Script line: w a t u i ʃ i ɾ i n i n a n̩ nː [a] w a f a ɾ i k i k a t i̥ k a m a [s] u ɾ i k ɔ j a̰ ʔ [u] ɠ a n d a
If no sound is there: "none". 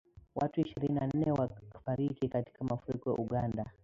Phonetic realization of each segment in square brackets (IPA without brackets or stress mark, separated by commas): ɛ, f, u